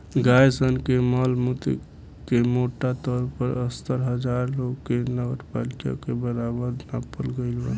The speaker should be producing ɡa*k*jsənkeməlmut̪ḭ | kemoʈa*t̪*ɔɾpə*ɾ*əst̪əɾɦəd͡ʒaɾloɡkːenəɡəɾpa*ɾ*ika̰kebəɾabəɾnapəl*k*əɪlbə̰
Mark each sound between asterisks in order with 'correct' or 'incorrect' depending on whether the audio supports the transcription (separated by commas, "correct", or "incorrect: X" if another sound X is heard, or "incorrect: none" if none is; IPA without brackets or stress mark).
incorrect: none, correct, correct, incorrect: l, incorrect: ɡ